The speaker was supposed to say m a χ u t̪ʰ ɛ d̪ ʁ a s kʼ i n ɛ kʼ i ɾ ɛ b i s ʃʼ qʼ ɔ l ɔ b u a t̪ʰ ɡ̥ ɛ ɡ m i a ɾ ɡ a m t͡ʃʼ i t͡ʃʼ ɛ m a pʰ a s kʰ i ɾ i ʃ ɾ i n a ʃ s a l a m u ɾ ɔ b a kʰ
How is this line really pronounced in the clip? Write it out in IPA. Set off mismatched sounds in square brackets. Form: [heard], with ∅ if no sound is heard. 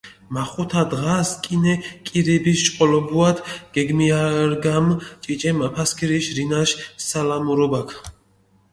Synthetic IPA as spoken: m a χ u t̪ʰ [a] d̪ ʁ a s kʼ i n ɛ kʼ i ɾ ɛ b i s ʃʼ qʼ ɔ l ɔ b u a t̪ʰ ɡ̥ ɛ ɡ m i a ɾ ɡ a m t͡ʃʼ i t͡ʃʼ ɛ m a pʰ a s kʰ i ɾ i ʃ ɾ i n a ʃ s a l a m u ɾ ɔ b a kʰ